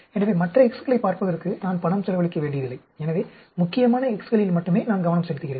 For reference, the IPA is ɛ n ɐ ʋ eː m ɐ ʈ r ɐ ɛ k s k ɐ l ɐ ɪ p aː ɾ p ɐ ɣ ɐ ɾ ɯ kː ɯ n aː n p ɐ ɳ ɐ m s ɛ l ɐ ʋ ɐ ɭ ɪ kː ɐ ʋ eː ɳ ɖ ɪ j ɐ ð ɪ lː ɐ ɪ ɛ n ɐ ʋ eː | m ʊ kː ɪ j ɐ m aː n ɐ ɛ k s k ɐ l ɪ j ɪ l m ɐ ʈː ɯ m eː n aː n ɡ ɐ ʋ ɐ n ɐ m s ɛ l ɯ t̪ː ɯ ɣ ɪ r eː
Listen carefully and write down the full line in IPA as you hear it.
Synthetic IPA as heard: ɛ n ɐ ʋ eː m ɐ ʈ r ɐ ɛ k s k ɐ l ɐ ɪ p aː ɾ p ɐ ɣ ɐ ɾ ɯ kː ɯ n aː n p ɐ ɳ ɐ m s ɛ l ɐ ʋ ɐ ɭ ɪ kː ɐ ʋ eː ɳ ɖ ɪ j ɐ ð ɪ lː ɐ ɪ ɛ n ɐ ʋ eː | m ʊ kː ɪ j ɐ m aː n ɐ ɛ k s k ɐ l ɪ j ɪ l m ɐ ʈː ɯ m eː n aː n ɡ ɐ ʋ ɐ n ɐ m s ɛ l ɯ t̪ː ɯ ɣ ɪ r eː